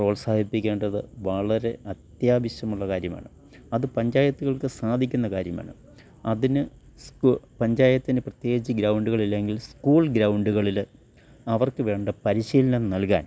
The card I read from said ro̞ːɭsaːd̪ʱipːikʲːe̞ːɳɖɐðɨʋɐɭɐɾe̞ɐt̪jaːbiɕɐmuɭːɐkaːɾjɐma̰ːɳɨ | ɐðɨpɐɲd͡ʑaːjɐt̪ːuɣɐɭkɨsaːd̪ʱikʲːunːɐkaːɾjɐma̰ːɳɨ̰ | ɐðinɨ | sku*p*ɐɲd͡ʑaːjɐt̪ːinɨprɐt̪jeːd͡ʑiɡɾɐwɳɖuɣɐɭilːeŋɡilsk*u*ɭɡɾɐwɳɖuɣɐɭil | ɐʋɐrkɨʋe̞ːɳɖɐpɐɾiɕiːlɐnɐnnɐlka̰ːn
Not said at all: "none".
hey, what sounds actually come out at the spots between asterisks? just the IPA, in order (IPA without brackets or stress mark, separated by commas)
p, uː